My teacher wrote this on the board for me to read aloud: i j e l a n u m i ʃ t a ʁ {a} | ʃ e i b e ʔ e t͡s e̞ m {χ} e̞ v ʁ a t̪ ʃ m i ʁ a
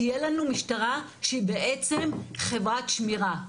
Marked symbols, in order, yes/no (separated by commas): yes, yes